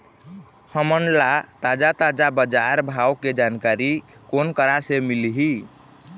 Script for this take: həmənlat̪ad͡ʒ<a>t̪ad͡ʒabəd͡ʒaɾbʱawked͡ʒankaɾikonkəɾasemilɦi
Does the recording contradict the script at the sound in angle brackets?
no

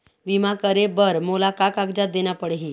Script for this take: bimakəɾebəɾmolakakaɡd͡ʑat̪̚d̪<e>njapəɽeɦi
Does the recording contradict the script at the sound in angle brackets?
no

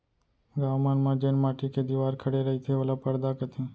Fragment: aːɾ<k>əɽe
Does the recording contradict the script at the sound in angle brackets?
yes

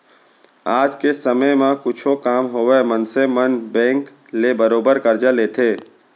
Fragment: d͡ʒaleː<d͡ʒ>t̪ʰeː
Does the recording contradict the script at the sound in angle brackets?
yes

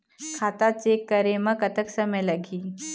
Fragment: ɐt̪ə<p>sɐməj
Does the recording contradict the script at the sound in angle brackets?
yes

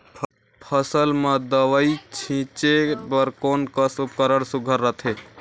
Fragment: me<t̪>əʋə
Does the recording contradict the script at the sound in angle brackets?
yes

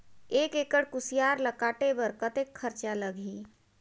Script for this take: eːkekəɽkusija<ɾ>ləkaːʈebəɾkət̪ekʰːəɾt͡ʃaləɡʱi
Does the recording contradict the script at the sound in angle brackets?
no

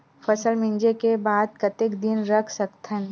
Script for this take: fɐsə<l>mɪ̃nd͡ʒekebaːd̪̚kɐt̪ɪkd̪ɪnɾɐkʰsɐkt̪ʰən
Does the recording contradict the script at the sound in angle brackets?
no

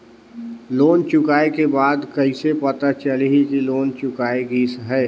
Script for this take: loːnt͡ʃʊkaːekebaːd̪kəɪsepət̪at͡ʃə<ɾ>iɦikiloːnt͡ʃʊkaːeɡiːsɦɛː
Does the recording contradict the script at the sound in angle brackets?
yes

